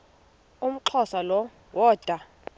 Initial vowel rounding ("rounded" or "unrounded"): rounded